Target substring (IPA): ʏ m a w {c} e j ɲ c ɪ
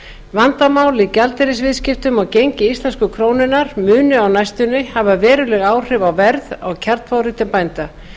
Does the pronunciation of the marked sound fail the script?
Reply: no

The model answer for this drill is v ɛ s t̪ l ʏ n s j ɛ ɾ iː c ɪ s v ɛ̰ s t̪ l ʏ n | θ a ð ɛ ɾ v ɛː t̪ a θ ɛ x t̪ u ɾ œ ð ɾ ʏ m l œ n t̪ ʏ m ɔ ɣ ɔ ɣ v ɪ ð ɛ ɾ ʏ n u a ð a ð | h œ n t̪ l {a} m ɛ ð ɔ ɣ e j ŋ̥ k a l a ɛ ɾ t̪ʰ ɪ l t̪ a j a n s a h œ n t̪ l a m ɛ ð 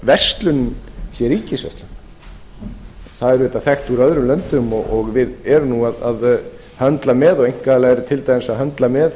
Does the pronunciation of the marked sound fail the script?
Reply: no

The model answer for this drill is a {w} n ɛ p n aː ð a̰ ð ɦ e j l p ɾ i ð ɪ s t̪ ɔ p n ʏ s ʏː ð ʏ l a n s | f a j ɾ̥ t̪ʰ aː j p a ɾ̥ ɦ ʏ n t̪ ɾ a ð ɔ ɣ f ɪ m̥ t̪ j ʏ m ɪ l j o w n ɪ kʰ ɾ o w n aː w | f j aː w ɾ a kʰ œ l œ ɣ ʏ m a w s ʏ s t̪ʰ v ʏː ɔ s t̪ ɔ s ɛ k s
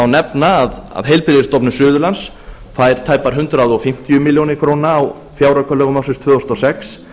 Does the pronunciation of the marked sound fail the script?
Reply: no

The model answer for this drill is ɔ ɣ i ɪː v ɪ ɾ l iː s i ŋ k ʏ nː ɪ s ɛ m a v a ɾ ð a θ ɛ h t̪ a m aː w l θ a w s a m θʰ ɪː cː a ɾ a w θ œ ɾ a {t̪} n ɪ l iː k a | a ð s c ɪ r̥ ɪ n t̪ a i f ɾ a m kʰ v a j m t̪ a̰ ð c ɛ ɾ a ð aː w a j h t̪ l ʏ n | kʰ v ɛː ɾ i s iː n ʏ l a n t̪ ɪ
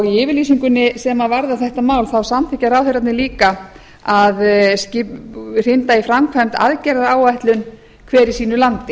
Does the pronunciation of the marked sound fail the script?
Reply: no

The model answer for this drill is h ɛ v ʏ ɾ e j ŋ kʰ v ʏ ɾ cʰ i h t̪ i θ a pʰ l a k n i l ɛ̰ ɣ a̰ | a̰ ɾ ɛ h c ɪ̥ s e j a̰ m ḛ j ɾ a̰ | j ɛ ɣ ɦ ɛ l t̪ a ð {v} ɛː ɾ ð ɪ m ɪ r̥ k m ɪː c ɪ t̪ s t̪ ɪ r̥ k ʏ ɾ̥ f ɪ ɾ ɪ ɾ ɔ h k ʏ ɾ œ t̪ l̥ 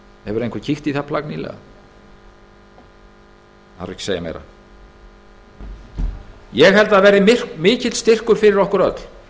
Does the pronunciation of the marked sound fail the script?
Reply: no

